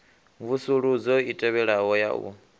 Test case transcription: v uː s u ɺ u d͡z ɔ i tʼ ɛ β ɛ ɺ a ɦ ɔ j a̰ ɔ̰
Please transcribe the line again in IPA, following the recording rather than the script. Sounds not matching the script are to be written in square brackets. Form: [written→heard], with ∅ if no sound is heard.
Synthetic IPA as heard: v [uː→u] s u ɺ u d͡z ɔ i tʼ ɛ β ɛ ɺ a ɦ ɔ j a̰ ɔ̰

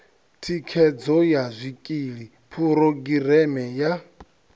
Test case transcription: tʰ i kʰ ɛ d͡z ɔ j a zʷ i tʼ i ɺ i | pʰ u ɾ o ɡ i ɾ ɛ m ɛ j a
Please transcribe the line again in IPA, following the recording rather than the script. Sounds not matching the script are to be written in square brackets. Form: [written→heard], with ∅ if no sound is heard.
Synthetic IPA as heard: tʰ i kʰ ɛ d͡z ɔ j a zʷ i [tʼ→kʼ] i ɺ i | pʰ u ɾ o ɡ i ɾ ɛ m ɛ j a

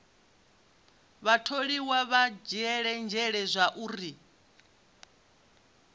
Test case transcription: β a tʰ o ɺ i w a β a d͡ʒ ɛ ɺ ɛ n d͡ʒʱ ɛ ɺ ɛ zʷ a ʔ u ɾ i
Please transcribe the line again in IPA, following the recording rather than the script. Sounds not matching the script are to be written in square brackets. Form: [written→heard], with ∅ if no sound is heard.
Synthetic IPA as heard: β a tʰ o ɺ i w a β a d͡ʒ ɛ ɺ ɛ n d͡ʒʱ ɛ ɺ ɛ zʷ a ʔ u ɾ i

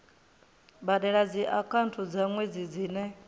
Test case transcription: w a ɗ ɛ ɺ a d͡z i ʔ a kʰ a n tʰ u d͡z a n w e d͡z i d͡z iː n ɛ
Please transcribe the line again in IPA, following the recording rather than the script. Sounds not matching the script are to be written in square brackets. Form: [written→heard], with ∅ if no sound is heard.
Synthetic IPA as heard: [w→b] a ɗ ɛ ɺ a d͡z i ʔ a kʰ a n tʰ u d͡z a [n→ŋ] w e d͡z i d͡z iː n ɛ

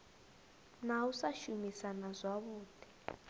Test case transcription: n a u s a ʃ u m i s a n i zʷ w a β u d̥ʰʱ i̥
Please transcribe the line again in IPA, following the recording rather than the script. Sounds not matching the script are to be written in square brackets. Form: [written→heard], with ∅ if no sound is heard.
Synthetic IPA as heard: n a u s a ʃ u m i s a n [i→a] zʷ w a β [u→uː] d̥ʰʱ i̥

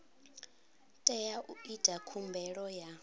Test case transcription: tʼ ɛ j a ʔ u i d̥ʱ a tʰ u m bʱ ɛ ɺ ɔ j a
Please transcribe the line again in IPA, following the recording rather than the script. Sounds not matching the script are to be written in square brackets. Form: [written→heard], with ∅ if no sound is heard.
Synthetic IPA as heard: tʼ ɛ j a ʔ u i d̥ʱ a [tʰ→kʰ] u m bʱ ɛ ɺ ɔ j a

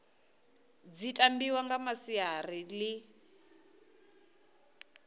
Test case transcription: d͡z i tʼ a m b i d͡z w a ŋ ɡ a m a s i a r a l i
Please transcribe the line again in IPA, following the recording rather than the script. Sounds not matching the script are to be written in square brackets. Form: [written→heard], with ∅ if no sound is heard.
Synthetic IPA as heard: d͡z i tʼ a m b i [d͡z→∅] w a ŋ ɡ a m a s i a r [a→i] l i

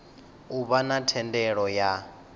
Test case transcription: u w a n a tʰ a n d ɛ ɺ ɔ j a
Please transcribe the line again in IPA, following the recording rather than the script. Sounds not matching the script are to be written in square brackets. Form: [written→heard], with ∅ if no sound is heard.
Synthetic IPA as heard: u [w→β] a n a tʰ [a→ɛ] n d ɛ ɺ ɔ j a

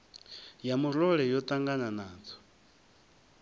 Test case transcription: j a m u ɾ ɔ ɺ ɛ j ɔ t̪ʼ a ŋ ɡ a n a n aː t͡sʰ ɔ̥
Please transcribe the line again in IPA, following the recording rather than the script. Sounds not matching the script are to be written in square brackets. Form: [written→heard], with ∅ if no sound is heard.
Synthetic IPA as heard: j a m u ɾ ɔ ɺ ɛ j ɔ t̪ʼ a ŋ ɡ a n a n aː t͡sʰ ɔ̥

